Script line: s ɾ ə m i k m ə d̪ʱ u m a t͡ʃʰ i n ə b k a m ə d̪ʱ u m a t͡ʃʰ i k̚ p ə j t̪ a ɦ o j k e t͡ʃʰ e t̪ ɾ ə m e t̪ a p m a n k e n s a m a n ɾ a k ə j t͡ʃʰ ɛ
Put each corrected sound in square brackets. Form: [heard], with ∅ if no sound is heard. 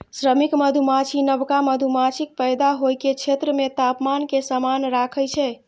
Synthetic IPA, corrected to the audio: s ɾ ə m i k m ə d̪ʱ u m a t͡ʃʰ i n ə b k a m ə d̪ʱ u m a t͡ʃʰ i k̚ p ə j [d̪] a ɦ o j k e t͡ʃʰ e t̪ ɾ ə m e t̪ a p m a n k e [∅] s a m a n ɾ a [kʰ] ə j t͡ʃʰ ɛ